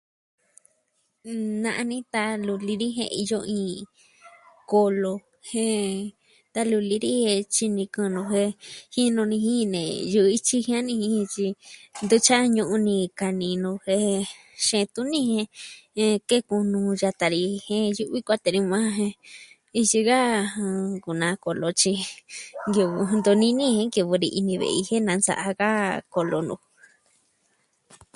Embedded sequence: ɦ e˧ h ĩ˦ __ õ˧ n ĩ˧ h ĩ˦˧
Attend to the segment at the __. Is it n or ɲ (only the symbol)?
n